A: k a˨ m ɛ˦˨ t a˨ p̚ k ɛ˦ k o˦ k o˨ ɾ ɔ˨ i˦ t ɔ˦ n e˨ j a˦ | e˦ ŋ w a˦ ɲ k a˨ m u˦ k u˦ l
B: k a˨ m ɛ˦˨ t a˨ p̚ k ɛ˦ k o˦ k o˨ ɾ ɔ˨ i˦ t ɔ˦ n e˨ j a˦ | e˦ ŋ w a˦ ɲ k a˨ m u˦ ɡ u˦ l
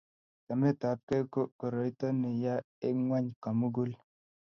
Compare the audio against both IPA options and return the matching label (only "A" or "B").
B